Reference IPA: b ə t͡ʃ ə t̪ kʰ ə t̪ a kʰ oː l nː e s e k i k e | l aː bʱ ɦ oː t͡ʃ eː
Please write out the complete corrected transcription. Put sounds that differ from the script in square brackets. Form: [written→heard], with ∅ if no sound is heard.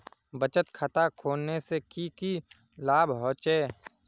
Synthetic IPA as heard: b ə t͡ʃ ə t̪ kʰ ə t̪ a kʰ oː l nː e s e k i k [e→i] | l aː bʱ ɦ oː t͡ʃ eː

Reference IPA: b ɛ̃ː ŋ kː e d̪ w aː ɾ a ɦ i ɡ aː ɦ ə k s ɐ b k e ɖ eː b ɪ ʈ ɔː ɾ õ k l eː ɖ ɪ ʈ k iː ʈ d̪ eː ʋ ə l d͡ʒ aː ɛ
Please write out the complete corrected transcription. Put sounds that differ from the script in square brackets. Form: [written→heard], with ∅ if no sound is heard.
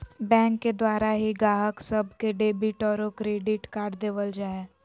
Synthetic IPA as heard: b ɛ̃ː ŋ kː e d̪ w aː ɾ a ɦ i ɡ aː ɦ ə k s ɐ b k e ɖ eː b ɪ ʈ ɔː ɾ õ k [l→ɾ] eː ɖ ɪ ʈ k [iː→aː] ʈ d̪ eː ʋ ə l d͡ʒ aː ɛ

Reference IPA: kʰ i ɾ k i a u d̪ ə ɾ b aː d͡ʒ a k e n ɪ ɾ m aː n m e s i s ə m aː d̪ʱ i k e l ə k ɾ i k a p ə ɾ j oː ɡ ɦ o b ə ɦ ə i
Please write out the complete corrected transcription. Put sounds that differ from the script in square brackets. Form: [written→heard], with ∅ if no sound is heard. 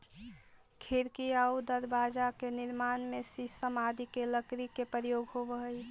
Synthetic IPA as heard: kʰ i ɾ k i a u d̪ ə ɾ b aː d͡ʒ a k e n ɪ ɾ m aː n m e s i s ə m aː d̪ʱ i k e l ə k ɾ i k [a→e] p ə ɾ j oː ɡ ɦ o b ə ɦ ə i

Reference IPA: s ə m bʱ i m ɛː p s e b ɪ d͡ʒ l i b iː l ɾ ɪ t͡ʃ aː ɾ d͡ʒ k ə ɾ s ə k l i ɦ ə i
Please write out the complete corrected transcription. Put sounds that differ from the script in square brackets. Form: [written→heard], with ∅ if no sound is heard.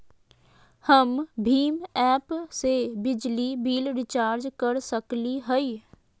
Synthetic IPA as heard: [s→h] ə m bʱ [i→iː] m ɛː p s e b ɪ d͡ʒ l i b iː l ɾ ɪ t͡ʃ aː ɾ d͡ʒ k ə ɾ s ə k l i ɦ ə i

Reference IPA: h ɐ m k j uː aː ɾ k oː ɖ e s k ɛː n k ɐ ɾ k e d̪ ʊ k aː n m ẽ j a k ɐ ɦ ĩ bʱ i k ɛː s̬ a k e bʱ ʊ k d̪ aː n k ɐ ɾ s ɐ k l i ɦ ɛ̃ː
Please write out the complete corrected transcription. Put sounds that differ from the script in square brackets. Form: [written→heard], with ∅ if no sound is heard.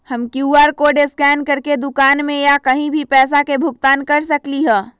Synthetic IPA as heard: h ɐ m k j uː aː ɾ k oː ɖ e s k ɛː n k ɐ ɾ k e d̪ ʊ k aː n m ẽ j a k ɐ ɦ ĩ bʱ i [k→p] ɛː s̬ a k e bʱ ʊ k [d̪→t̪] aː n k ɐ ɾ s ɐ k l i ɦ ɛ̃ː

